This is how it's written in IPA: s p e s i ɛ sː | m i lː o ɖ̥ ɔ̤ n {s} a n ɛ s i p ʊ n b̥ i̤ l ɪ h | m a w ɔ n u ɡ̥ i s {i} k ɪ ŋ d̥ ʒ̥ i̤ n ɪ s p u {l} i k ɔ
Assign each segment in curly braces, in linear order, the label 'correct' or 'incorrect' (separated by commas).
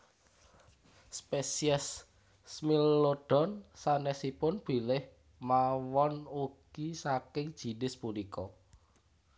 correct, incorrect, correct